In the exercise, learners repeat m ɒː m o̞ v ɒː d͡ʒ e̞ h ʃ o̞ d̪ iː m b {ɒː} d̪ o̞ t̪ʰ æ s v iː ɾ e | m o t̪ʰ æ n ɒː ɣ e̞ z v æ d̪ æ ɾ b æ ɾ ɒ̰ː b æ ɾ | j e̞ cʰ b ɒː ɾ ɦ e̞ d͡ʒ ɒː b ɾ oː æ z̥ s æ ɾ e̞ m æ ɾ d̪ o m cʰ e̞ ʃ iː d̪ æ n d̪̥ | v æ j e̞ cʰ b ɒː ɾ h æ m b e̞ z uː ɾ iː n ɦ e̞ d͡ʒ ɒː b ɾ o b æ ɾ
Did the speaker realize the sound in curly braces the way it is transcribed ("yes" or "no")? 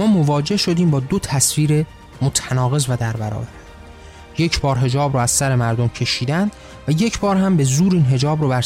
yes